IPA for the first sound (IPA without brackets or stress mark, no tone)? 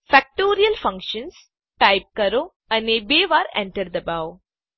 f